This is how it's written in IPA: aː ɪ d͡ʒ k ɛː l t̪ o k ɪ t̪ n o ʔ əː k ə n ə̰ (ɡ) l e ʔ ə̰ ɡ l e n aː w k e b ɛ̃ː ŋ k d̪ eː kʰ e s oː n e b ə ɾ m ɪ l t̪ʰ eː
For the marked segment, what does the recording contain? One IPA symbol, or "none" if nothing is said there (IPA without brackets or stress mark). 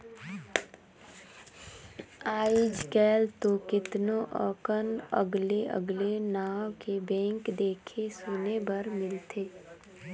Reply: ɡ